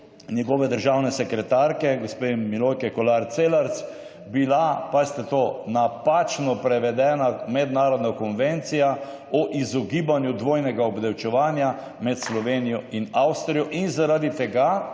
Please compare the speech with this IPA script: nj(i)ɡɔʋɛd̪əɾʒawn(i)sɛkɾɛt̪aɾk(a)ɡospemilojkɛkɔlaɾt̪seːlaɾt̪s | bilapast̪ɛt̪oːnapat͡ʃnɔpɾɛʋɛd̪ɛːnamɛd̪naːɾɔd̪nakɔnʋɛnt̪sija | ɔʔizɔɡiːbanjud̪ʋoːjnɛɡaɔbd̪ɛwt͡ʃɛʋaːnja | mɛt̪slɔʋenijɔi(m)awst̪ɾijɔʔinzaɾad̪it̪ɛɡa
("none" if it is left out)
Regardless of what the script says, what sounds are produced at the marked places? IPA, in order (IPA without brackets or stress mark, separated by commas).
ɛ, ɛ, ɛ, n